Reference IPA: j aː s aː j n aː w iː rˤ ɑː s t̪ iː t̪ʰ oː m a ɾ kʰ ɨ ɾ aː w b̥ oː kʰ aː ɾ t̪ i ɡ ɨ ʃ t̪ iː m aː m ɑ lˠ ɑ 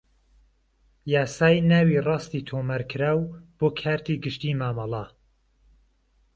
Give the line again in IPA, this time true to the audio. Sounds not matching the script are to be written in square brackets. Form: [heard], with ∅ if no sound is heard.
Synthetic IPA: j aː s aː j n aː w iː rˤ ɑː s t̪ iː t̪ʰ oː m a ɾ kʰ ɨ ɾ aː w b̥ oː kʰ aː ɾ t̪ i ɡ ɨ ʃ t̪ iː m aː m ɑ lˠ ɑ